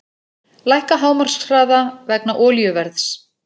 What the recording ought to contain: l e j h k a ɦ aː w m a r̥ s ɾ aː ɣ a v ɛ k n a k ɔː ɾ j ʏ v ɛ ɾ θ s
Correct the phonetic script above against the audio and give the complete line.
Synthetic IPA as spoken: l a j h k a ɦ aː w m a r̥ s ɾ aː ð a v ɛ k n a ʔ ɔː l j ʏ v ɛ ɾ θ s